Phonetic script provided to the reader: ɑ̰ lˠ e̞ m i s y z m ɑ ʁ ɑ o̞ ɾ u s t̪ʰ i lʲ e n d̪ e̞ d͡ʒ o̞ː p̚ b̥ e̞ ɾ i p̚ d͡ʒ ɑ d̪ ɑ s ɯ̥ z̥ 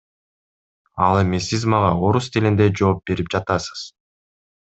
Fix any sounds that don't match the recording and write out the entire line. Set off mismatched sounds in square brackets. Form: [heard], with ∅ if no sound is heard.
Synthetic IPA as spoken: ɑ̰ lˠ e̞ m i s [i] z m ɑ ʁ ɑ o̞ ɾ u s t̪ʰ i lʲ [i] n d̪ e̞ d͡ʒ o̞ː p̚ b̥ e̞ ɾ i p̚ d͡ʒ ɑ [t̪] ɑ s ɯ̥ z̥